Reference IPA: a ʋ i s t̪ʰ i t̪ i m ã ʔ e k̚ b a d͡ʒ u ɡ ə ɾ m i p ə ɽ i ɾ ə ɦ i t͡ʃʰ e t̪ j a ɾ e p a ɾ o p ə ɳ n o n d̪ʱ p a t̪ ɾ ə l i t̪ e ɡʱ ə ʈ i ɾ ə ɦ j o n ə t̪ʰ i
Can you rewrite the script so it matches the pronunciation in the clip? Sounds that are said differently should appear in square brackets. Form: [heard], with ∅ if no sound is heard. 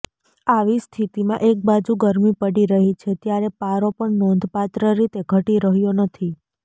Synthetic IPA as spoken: a ʋ i s t̪ʰ i t̪ i m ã ʔ e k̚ b a d͡ʒ u ɡ ə ɾ m i p ə ɽ i ɾ ə ɦ i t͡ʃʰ e t̪ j a ɾ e p a ɾ o p ə ɳ n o n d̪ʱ p a t̪ ɾ ə [ɾ] i t̪ e ɡʱ ə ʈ i ɾ ə ɦ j o n ə t̪ʰ i